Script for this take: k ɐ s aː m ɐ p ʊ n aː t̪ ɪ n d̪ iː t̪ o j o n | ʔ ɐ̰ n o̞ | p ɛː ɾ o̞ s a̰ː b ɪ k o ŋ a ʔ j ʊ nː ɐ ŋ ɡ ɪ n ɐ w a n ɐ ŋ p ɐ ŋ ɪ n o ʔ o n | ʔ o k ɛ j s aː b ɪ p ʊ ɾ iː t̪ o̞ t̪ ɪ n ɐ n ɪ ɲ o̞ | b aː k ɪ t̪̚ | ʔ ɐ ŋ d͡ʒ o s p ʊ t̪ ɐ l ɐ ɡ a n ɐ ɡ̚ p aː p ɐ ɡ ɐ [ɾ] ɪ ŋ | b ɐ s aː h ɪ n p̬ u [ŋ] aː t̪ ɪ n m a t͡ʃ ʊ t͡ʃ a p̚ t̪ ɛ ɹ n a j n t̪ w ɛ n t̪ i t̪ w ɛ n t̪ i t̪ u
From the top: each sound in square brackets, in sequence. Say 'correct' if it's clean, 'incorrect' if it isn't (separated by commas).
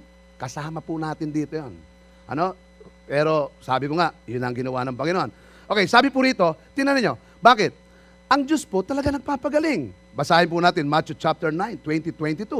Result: incorrect, incorrect